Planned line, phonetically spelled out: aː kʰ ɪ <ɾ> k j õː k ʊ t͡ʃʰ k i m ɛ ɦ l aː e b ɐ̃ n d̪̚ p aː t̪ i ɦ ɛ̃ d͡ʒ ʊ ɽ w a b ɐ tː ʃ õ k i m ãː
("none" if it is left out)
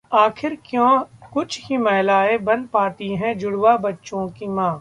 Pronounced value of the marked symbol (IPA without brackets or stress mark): ɾ